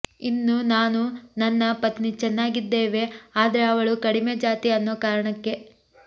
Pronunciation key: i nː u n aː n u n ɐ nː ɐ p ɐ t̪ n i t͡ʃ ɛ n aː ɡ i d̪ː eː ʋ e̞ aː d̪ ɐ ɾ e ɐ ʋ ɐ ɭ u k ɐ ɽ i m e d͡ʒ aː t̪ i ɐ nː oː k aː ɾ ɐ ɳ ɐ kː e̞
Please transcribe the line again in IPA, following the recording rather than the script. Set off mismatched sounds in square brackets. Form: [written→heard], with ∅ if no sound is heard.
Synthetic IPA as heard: i nː u n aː n u n ɐ nː ɐ p ɐ t̪ n i t͡ʃ ɛ [n→nː] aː ɡ i d̪ː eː ʋ e̞ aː d̪ ɐ ɾ e ɐ ʋ ɐ ɭ u k ɐ ɽ i m e d͡ʒ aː t̪ i ɐ nː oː k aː ɾ ɐ ɳ ɐ kː e̞